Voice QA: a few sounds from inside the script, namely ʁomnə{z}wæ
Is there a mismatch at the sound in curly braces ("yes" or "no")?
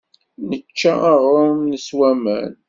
yes